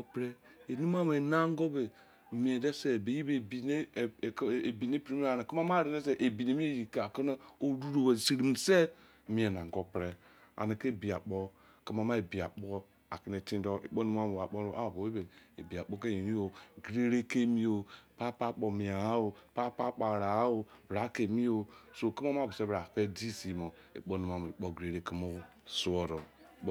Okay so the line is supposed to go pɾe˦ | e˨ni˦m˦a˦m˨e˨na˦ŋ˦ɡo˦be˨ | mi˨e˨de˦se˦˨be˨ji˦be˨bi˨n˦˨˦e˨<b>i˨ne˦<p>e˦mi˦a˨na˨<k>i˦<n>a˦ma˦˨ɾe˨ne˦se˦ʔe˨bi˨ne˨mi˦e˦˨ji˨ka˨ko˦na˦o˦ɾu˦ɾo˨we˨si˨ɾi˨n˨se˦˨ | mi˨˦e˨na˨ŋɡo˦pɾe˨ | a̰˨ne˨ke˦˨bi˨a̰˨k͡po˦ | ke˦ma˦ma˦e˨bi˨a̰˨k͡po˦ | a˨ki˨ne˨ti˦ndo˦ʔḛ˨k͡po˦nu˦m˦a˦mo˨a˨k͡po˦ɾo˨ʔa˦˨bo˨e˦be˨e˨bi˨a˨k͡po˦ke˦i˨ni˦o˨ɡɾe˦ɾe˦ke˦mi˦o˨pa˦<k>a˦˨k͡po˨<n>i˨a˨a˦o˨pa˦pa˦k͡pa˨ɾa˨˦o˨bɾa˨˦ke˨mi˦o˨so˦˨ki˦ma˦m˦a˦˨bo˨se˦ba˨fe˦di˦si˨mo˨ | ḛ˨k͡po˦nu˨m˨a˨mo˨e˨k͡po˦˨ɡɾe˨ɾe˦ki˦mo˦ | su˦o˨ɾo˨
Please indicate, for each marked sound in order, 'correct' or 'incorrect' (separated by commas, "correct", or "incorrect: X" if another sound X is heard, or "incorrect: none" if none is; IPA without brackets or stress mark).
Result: correct, correct, correct, incorrect: m, incorrect: p, incorrect: m